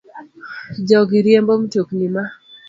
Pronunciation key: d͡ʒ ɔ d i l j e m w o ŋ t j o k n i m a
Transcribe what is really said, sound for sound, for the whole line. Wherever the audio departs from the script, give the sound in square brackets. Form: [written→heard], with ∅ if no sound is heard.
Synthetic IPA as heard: d͡ʒ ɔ [d→ɡ] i [l→ɾ] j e m [w→b] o [ŋ→m] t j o k n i m a